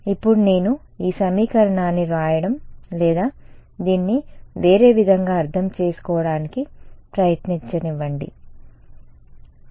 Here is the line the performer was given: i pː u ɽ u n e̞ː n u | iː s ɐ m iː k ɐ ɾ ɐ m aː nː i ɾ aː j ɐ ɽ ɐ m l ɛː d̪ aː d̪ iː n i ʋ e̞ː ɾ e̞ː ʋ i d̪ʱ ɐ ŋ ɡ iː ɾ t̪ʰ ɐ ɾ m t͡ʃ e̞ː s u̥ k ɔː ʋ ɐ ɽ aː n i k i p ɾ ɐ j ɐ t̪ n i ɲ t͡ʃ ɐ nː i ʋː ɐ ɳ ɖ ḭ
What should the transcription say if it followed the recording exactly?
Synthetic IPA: i pː u ɽ u n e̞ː n u | iː s ɐ m iː k ɐ ɾ ɐ ɳ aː nː i ɾ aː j ɐ ɽ ɐ m l ɛː d̪ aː d̪ iː nː i ʋ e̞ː ɾ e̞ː ʋ i d̪ʱ ɐ ŋ ɡ aː ɾ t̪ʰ ɐ m t͡ʃ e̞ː s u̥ k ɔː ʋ ɐ ɽ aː n i k i p ɾ ɐ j ɐ t̪ n i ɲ t͡ʃ ɐ n i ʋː ɐ ɳ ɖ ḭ